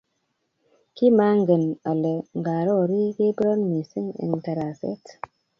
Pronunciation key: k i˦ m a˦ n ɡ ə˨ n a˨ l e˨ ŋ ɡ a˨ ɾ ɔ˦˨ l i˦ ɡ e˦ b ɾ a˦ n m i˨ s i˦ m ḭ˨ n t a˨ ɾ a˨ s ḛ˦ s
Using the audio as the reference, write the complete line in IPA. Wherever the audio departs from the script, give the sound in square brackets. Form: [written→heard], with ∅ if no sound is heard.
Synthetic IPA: k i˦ m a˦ [n→ŋ] ɡ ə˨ n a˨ l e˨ ŋ ɡ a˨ ɾ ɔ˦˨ [l→ɾ] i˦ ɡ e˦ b ɾ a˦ n m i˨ s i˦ [m→ŋ] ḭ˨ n t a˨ ɾ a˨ s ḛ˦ [s→t]